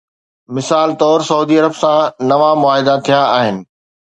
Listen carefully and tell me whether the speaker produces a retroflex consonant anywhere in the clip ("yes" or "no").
no